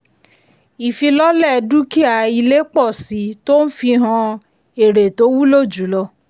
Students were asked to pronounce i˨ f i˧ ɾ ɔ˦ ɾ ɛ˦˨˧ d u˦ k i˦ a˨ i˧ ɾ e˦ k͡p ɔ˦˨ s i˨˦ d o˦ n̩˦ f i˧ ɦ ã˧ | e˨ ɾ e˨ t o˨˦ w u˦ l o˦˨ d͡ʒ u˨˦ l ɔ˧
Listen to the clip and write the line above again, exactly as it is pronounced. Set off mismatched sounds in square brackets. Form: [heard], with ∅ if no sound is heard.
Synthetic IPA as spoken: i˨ f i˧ [l] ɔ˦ [l] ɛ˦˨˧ d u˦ k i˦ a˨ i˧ [l] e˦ k͡p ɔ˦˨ s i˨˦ [t] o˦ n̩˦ f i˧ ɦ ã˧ | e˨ ɾ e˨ t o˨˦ w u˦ l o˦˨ d͡ʒ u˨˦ l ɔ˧